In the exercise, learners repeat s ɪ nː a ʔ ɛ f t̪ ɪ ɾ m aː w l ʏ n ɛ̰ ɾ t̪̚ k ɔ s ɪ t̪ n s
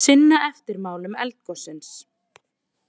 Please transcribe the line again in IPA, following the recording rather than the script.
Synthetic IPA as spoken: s ɪ nː a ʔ ɛ f t̪ ɪ ɾ m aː w l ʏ m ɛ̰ l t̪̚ k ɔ s ɪ n s